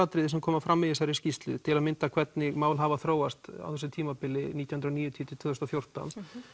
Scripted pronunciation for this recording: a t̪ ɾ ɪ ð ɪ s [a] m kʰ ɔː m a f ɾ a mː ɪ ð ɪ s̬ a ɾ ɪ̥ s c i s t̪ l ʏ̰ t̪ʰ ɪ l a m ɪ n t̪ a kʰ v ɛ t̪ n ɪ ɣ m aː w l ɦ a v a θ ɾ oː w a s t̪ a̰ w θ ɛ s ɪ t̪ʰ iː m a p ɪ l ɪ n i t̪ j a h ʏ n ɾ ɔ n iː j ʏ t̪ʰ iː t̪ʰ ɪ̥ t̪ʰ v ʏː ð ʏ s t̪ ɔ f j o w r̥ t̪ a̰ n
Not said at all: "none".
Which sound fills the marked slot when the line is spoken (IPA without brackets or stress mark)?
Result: ɛ